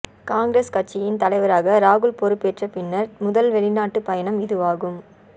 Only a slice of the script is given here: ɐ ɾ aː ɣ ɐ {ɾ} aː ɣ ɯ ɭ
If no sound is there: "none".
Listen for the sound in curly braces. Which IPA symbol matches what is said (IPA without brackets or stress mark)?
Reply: ɾ